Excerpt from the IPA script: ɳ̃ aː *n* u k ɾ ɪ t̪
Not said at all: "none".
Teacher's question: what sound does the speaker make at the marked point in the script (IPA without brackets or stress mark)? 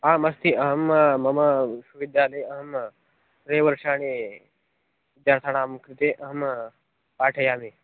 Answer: m